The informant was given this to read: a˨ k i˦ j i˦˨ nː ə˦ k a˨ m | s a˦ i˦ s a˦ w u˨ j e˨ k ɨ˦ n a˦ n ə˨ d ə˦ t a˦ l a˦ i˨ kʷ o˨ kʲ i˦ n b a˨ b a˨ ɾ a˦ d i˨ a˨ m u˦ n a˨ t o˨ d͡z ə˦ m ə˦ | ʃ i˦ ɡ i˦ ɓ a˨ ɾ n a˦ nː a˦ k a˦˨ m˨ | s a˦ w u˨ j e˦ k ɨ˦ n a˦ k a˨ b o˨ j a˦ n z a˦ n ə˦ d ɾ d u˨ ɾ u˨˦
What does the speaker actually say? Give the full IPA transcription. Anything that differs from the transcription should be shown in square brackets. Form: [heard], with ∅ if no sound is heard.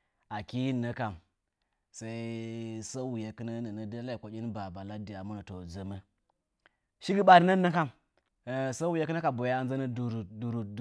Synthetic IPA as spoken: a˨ k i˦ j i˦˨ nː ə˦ k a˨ m | s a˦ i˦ s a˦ w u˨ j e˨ k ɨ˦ n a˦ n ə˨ [n] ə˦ [d] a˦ l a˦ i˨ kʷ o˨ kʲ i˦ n b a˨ b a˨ [l] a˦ d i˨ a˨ m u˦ n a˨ t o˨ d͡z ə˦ m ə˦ | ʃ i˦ ɡ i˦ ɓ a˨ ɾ n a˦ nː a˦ k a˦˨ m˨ | s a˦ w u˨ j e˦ k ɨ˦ n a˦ k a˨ b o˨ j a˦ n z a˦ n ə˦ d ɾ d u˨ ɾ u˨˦